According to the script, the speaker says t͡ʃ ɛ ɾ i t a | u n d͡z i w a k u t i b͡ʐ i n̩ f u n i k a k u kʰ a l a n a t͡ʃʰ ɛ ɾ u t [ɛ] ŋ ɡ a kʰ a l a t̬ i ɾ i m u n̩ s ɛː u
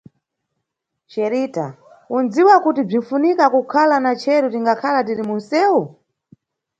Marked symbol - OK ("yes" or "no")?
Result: no